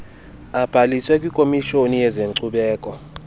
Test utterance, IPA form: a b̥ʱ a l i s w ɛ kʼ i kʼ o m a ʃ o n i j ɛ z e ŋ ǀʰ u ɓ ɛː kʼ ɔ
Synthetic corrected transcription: a b̥ʱ a l i s w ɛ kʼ i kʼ o m i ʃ o n i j ɛ z e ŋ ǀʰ u ɓ ɛː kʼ ɔ